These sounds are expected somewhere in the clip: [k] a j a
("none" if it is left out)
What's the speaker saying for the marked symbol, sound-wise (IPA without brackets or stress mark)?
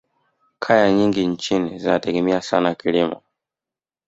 kʰ